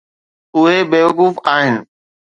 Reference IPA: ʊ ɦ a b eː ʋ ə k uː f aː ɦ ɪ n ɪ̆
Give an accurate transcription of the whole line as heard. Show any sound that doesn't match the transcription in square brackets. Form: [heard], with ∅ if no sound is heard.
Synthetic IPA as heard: ʊ ɦ [e] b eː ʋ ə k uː f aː ɦ ɪ n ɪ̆